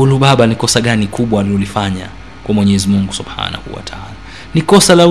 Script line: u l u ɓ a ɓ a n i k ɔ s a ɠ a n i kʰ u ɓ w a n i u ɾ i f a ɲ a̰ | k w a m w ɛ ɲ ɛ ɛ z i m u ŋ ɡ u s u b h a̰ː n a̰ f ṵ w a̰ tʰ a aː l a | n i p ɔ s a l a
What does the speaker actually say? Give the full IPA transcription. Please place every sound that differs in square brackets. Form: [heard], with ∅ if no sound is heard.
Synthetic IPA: u l u ɓ a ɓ a n i k ɔ s a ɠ a n i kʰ u ɓ w a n i u [l] i f a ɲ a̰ | k w a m w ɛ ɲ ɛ ɛ z i m u ŋ ɡ u s u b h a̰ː n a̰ [h] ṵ w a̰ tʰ a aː l a | n i [k] ɔ s a l a